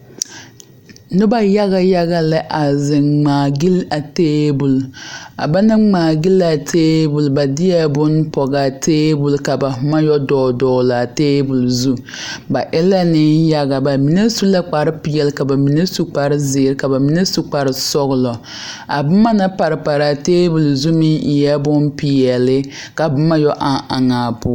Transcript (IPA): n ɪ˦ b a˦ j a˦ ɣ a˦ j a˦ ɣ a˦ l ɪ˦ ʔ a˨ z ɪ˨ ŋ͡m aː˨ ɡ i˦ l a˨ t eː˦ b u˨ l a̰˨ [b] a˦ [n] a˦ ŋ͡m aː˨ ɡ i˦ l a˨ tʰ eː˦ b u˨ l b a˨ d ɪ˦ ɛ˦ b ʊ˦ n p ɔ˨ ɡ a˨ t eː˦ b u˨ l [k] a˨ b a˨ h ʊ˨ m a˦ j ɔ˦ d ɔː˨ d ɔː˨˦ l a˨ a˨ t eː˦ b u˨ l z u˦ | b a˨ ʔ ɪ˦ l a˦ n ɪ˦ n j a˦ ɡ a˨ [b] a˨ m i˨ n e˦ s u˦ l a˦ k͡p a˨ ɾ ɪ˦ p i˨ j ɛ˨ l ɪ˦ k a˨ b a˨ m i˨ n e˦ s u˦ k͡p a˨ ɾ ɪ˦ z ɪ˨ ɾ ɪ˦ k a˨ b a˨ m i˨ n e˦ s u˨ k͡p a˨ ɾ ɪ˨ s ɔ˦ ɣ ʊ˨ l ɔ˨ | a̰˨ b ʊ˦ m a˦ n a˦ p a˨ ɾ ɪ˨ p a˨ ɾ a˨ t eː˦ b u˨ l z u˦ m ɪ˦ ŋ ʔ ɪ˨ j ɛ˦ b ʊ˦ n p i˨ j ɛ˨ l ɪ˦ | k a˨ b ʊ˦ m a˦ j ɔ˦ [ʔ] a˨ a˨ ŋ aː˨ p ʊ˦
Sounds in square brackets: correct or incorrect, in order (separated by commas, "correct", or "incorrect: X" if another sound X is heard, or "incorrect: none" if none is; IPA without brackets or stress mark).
correct, correct, correct, correct, correct